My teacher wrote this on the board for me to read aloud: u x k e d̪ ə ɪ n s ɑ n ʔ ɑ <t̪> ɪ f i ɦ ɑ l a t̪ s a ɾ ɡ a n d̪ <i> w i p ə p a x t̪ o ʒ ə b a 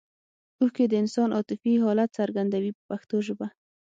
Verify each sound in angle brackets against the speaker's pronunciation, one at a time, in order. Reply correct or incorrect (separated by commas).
correct, incorrect